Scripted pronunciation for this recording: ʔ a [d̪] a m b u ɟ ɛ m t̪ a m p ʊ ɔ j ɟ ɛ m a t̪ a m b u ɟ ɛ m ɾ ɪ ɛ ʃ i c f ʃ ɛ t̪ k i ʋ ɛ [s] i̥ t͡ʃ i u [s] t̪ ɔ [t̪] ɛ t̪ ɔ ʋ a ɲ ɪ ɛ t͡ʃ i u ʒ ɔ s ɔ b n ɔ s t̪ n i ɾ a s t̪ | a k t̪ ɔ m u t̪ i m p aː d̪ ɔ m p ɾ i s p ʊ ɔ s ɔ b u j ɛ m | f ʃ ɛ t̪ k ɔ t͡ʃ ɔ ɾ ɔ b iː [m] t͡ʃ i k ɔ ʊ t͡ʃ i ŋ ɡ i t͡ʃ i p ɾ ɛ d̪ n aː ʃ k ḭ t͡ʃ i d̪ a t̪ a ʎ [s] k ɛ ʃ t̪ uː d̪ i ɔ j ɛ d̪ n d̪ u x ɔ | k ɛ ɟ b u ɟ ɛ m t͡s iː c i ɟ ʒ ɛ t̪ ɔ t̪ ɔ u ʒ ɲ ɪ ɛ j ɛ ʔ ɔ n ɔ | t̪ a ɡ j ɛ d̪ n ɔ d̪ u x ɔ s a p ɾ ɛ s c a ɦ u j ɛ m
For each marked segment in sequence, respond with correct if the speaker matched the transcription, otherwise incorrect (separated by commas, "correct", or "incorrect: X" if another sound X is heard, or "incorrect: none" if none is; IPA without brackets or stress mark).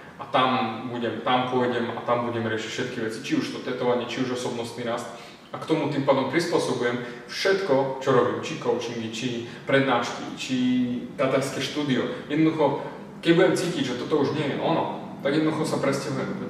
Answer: incorrect: t̪, incorrect: t͡s, incorrect: ʃ, correct, correct, correct